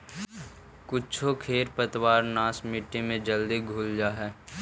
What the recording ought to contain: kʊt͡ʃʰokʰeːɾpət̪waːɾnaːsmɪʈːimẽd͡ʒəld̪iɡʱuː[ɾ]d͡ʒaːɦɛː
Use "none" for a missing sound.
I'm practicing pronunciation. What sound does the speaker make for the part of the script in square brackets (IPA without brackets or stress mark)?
l